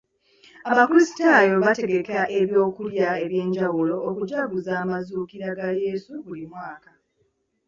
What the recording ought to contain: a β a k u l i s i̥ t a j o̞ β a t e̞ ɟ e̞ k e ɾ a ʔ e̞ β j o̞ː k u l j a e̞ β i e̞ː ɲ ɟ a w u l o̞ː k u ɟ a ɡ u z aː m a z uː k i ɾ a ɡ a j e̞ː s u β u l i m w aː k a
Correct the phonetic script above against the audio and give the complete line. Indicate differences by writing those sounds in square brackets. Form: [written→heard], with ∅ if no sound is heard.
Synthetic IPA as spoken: a β a k u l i s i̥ t a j o̞ β a t e̞ [ɟ→ɡ] e̞ k e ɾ a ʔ e̞ β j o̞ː k u l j a e̞ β [i→j] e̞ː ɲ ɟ a w u l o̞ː k u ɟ a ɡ u z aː m a z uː k i ɾ a ɡ a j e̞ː s u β u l i m w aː k a

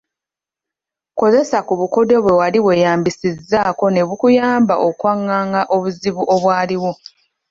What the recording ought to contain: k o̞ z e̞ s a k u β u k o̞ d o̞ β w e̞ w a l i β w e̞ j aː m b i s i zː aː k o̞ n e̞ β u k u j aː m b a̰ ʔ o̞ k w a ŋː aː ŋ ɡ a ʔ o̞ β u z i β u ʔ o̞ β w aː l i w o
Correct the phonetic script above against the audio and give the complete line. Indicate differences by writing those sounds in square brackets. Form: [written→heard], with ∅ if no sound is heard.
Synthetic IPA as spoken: k o̞ z e̞ s a k u β u k o̞ d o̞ β w e̞ w a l i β w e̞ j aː m b i s i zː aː k o̞ n e̞ β u k u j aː m b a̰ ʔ o̞ k w a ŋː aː ŋ ɡ a ʔ o̞ β u z i β u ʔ o̞ β w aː l i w o

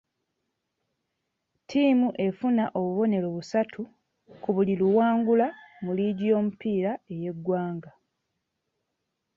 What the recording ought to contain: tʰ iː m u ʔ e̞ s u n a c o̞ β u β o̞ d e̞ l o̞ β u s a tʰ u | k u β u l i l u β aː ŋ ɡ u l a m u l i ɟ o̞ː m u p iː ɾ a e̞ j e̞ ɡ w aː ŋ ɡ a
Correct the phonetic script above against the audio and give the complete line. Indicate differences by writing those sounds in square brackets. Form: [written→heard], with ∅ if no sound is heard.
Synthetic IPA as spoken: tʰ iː m u ʔ e̞ [s→f] u n a [c→ʔ] o̞ β u β o̞ [d→n] e̞ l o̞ β u s a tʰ u | k u β u l i l u [β→w] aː ŋ ɡ u l a m u l i ɟ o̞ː m u p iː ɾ a e̞ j e̞ ɡ w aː ŋ ɡ a

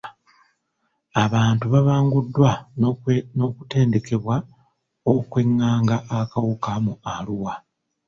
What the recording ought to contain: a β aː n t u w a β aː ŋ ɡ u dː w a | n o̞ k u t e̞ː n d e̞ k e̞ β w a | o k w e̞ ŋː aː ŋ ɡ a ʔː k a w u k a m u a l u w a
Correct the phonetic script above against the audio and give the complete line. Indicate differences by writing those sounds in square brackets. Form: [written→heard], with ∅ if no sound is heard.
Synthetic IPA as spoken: a β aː n t u [w→β] a β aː ŋ ɡ u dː w a | n o̞ k u t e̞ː n d e̞ k e̞ β w a | o k w e̞ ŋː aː ŋ ɡ a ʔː k a w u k a m u a l u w a

